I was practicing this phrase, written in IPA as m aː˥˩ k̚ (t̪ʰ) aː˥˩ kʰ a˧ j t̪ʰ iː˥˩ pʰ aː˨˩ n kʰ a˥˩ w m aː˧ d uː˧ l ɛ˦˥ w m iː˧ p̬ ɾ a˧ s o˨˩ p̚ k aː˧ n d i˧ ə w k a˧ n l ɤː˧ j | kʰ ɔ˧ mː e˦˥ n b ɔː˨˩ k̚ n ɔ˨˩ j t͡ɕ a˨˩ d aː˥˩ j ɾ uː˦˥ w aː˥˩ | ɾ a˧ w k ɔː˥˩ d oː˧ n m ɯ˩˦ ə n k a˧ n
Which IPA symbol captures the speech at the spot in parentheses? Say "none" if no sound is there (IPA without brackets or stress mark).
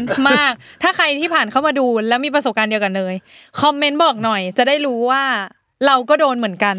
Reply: t̪ʰ